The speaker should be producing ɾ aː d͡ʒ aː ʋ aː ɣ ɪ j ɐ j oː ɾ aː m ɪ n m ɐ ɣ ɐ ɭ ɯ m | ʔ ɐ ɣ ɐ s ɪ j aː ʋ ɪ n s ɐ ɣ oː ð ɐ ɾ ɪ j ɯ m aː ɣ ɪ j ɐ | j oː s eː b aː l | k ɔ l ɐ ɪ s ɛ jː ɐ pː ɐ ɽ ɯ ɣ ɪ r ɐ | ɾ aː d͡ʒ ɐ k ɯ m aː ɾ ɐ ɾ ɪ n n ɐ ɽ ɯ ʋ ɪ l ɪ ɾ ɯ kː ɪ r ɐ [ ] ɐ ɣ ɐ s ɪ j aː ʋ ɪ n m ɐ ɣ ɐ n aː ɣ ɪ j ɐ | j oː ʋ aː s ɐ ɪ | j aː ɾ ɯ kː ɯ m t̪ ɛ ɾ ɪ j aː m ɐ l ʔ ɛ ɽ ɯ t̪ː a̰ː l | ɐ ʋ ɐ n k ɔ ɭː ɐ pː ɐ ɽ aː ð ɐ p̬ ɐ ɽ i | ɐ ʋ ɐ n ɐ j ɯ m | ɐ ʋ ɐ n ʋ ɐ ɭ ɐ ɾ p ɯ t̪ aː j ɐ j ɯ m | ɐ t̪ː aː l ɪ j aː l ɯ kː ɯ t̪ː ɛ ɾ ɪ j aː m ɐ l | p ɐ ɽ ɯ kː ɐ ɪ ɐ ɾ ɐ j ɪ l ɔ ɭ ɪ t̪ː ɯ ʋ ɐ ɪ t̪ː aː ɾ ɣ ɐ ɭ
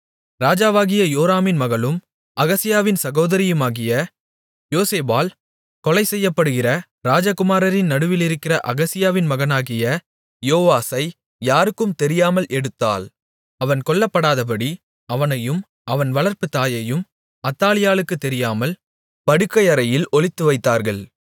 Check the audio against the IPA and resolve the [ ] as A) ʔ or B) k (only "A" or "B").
A